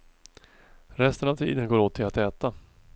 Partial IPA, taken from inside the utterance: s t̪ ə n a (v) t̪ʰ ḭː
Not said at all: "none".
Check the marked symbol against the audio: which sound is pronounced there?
v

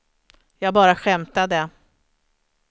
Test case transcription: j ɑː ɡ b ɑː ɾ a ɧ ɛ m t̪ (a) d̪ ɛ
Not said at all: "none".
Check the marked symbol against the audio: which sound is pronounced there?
a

